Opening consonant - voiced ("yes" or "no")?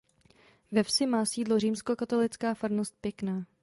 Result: yes